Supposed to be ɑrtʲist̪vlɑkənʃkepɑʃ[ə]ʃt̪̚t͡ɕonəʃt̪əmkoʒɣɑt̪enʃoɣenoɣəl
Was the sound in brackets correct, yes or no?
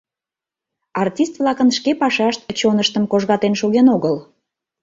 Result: no